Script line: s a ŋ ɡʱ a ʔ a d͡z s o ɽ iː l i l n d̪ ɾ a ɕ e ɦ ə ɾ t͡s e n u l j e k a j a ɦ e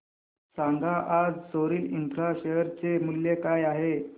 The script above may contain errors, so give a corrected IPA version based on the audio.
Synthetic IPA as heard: s a ŋ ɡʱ a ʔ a d͡z s o ɾ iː l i n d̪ ɾ a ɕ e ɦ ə ɾ t͡s e m u l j e k a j a ɦ e